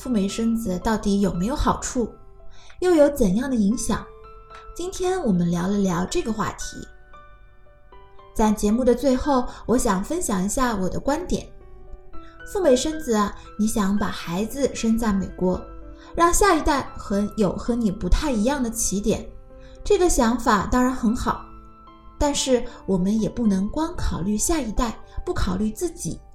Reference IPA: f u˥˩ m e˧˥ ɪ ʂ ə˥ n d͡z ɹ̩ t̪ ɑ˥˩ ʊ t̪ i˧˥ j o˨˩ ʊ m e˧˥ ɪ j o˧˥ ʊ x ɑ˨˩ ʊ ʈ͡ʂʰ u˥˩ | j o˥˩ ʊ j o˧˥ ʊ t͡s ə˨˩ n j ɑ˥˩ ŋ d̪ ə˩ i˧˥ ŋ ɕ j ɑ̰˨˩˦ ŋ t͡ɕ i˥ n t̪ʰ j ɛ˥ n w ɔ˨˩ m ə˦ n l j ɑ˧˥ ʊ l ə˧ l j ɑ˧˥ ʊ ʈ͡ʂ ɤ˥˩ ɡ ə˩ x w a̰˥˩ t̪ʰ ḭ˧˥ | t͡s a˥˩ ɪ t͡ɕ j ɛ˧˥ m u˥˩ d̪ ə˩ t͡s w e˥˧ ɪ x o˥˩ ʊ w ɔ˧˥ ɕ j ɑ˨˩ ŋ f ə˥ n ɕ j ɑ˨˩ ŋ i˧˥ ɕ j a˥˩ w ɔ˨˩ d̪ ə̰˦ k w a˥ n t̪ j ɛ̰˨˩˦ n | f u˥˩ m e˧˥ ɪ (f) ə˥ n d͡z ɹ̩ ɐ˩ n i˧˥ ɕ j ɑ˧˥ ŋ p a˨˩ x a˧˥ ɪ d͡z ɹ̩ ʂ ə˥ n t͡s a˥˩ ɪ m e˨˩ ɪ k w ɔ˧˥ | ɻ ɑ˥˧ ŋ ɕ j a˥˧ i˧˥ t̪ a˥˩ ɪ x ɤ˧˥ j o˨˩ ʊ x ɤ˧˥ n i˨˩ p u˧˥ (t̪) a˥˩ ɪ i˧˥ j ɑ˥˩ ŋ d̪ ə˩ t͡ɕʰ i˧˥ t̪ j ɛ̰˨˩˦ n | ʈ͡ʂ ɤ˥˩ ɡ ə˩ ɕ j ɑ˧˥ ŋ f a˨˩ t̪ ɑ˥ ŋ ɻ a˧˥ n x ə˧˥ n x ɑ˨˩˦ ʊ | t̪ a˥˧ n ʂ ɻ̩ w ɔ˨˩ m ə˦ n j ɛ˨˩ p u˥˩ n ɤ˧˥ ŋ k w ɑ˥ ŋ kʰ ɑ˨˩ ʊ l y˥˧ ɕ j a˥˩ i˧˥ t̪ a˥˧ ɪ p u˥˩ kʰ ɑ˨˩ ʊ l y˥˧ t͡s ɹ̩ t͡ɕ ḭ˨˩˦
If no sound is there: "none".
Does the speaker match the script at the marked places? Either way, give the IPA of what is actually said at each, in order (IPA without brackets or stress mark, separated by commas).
ʂ, t̪ʰ